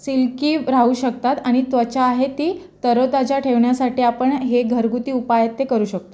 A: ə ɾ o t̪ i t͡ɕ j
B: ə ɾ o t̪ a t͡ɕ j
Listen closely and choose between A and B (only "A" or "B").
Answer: B